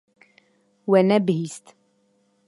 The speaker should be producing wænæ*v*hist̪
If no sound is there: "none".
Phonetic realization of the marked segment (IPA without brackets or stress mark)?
b